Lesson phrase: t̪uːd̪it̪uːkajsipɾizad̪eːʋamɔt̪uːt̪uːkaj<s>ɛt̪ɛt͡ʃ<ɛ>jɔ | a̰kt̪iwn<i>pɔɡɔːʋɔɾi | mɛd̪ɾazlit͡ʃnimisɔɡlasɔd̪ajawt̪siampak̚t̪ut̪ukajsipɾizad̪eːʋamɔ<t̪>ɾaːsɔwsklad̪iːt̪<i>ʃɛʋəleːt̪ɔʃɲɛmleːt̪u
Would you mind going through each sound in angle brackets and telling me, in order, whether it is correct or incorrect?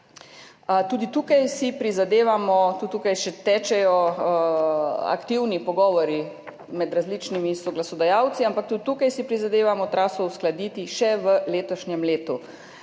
incorrect: ʃ, correct, correct, correct, correct

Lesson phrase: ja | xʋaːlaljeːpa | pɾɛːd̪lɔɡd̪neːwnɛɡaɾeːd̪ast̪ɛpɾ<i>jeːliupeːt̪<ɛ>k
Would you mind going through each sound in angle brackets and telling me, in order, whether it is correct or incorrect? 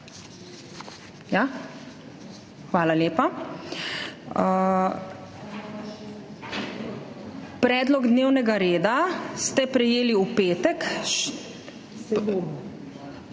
incorrect: ɛ, correct

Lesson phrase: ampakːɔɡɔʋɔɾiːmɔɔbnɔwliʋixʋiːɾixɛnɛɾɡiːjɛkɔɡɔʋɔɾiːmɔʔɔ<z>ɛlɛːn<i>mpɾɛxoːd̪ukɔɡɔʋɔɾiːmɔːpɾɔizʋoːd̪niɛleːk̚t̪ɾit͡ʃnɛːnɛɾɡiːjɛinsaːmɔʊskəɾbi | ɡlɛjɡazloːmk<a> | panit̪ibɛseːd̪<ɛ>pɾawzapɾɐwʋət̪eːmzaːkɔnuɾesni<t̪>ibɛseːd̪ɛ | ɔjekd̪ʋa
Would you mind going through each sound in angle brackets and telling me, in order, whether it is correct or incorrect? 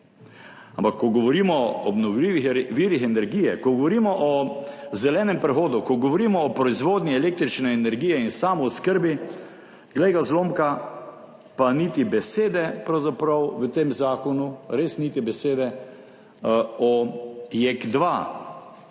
correct, incorrect: ɛ, correct, correct, correct

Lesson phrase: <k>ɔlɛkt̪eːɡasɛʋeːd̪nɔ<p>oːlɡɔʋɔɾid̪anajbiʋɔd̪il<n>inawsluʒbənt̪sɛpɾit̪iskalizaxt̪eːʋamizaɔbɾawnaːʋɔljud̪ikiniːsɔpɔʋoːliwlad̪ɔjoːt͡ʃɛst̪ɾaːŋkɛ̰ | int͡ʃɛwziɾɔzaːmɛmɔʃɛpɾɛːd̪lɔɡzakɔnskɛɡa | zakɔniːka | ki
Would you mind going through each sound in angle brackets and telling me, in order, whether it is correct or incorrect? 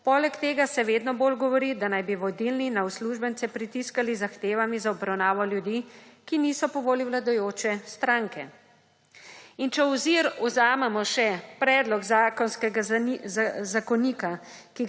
incorrect: p, incorrect: b, correct

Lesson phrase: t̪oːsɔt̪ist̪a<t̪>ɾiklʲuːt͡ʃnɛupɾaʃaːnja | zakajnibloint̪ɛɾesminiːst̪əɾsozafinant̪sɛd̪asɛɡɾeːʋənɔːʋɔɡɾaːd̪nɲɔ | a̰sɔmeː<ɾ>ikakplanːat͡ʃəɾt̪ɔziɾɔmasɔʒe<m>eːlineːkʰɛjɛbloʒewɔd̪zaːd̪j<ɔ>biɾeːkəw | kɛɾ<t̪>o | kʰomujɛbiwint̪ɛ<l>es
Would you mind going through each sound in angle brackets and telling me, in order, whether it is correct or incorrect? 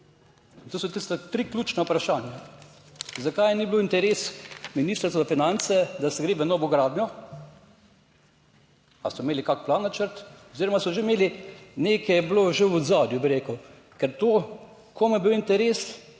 correct, incorrect: l, correct, incorrect: u, correct, incorrect: ɾ

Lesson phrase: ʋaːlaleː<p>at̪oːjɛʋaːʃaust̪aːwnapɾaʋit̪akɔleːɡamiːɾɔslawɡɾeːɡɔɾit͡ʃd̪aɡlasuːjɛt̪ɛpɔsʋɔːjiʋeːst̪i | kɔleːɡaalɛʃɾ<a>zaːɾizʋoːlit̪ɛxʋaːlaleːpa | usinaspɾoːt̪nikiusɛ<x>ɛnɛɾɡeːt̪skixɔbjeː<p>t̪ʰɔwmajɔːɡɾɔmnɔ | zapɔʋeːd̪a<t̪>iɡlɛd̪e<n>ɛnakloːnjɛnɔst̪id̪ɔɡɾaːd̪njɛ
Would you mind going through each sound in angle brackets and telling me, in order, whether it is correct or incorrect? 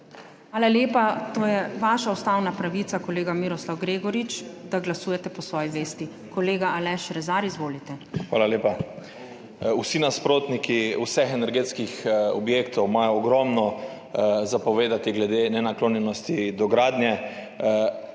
correct, incorrect: ɛ, correct, incorrect: k, correct, correct

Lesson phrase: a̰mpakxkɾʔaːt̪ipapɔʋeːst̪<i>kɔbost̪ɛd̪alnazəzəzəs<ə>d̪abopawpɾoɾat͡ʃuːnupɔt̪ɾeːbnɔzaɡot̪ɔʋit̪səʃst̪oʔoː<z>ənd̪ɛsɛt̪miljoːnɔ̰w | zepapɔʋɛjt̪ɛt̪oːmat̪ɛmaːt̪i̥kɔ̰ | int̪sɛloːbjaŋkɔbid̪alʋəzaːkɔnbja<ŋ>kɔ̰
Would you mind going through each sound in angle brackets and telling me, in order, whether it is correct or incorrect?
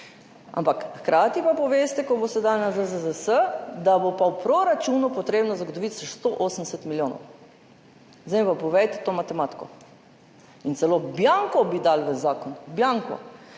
incorrect: ɛ, correct, incorrect: s, correct

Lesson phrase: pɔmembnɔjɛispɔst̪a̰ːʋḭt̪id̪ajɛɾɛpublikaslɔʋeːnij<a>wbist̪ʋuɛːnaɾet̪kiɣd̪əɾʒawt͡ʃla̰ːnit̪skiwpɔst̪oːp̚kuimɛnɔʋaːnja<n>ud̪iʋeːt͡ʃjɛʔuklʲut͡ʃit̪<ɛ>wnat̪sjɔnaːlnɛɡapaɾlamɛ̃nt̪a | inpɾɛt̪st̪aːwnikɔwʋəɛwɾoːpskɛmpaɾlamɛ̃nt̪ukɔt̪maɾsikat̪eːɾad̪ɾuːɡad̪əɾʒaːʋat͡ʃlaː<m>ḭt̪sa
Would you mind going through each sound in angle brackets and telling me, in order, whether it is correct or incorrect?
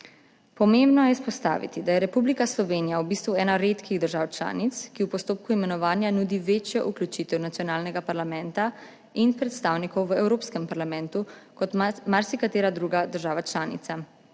correct, correct, correct, incorrect: n

